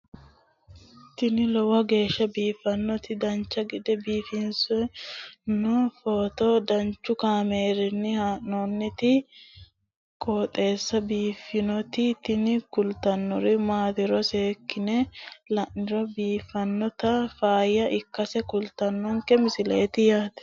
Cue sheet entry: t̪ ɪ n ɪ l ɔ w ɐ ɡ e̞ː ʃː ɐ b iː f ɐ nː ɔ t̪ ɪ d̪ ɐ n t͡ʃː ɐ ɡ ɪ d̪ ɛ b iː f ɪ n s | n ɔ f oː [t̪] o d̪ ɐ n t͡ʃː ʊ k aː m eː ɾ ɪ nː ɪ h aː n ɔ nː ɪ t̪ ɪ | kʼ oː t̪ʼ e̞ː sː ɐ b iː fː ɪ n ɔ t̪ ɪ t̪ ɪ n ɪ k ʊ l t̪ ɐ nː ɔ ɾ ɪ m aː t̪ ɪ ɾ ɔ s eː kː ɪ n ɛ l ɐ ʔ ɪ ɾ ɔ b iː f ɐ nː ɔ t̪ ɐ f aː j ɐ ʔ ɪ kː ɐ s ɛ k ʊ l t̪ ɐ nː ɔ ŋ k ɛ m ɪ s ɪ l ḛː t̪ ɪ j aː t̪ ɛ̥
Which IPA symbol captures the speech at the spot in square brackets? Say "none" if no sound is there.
t̪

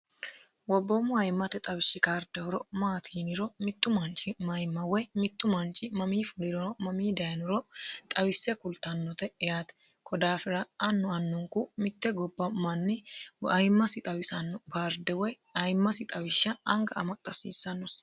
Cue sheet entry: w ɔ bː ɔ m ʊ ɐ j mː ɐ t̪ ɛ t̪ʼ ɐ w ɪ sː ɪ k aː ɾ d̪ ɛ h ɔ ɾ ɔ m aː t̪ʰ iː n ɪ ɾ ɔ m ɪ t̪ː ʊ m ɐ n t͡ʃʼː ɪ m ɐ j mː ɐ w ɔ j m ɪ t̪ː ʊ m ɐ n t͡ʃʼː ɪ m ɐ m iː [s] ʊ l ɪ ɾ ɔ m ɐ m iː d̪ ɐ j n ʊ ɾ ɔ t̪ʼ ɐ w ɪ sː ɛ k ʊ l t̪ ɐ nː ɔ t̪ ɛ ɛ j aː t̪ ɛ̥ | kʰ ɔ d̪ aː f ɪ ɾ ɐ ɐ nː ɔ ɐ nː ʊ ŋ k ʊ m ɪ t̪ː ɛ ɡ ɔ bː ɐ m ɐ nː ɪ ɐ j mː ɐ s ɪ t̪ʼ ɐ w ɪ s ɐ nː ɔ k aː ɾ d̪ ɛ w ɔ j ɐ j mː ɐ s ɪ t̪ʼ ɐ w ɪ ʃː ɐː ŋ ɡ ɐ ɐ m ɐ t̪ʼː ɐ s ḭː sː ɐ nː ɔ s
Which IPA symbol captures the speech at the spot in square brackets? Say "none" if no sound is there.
f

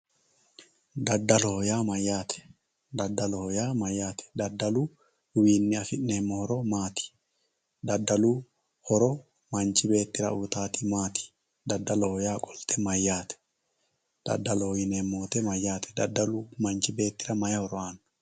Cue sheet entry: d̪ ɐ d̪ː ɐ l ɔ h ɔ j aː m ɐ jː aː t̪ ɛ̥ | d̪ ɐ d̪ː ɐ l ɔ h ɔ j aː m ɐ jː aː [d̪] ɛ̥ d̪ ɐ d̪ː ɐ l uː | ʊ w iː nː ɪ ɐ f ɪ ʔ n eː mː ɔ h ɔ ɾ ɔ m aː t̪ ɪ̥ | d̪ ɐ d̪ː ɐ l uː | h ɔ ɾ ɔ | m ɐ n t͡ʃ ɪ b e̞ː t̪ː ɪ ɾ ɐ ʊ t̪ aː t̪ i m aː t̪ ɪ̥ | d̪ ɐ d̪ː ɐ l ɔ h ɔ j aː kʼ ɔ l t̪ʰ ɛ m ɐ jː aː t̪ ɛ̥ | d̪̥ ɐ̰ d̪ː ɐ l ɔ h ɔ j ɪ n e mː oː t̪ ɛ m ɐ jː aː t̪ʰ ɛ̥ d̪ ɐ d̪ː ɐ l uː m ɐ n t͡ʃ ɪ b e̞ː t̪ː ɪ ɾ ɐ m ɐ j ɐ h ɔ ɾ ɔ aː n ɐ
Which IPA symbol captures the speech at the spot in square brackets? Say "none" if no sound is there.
t̪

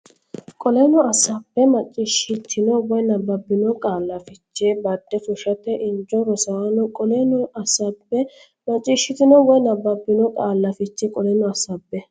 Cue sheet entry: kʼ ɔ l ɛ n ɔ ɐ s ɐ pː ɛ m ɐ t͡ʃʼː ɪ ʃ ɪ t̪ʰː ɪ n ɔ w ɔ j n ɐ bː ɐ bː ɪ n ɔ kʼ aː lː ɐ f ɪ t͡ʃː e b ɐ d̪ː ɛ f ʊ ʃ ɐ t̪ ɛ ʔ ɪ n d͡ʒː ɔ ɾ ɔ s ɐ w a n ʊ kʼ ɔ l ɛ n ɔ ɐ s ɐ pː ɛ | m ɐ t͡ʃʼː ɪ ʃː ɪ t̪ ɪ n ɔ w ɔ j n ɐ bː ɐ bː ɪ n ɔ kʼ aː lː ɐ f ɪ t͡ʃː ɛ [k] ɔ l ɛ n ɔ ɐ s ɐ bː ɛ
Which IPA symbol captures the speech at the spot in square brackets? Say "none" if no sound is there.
kʼ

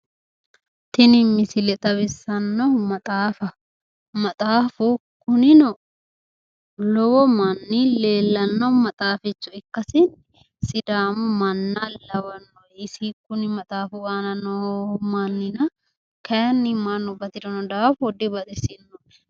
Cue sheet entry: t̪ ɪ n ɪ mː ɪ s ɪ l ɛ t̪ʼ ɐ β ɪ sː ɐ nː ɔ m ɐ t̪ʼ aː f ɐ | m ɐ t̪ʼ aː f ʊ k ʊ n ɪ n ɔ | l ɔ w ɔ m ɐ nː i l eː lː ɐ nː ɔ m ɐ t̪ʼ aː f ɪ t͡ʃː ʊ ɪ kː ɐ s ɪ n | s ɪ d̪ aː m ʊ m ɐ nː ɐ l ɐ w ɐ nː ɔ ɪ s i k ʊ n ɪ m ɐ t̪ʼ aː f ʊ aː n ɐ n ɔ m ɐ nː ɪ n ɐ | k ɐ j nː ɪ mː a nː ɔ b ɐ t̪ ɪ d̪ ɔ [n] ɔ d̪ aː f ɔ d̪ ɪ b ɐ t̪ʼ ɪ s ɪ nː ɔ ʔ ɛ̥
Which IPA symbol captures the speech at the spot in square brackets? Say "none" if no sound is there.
n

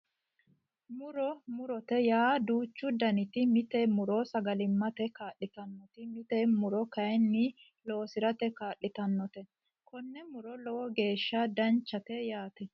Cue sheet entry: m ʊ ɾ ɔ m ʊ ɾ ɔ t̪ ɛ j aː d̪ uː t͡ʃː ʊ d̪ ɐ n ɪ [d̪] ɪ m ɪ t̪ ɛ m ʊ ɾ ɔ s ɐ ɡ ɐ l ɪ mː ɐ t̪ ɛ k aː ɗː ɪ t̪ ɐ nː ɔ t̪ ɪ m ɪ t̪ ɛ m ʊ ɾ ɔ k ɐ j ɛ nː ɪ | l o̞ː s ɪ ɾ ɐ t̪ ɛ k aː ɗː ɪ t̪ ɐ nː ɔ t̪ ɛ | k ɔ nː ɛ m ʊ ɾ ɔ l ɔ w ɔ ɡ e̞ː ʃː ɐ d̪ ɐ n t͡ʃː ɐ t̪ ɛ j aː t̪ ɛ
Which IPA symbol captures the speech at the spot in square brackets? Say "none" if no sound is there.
t̪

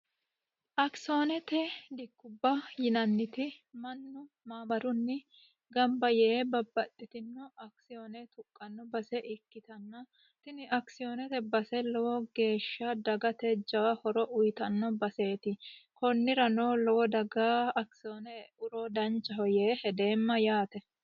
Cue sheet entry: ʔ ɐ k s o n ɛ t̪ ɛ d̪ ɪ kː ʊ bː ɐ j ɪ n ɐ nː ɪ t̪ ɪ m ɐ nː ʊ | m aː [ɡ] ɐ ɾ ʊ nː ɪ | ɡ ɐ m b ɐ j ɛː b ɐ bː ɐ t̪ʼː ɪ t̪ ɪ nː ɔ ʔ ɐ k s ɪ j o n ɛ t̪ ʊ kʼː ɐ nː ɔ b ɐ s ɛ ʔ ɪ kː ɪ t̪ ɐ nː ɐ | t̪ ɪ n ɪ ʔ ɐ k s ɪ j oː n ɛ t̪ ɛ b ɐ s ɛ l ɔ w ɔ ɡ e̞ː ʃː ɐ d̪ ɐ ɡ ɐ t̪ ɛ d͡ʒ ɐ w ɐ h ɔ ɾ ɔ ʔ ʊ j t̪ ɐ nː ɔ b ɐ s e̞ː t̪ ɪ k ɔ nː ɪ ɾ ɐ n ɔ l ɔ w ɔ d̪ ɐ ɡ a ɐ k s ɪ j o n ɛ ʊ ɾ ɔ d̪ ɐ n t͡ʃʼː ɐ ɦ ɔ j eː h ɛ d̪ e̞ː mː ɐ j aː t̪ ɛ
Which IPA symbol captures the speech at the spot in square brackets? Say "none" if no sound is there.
b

